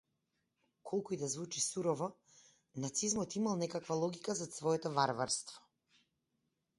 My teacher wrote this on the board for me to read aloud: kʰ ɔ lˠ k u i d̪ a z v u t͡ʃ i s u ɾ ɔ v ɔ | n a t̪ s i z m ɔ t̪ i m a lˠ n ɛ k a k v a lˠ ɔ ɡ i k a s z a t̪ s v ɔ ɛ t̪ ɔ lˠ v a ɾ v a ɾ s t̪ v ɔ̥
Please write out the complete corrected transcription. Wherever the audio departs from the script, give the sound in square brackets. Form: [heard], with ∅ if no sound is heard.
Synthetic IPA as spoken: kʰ ɔ lˠ k u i d̪ a z v u t͡ʃ i s u ɾ ɔ v ɔ | n a t̪ s i z m ɔ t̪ i m a lˠ n ɛ k a k v a lˠ ɔ ɡ i k a [∅] z a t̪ s v ɔ ɛ t̪ ɔ [∅] v a ɾ v a ɾ s t̪ v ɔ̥